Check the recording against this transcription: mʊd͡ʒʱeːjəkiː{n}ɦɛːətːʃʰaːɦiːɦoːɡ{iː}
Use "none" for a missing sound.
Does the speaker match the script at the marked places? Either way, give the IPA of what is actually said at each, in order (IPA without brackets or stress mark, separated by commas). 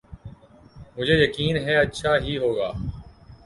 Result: n, aː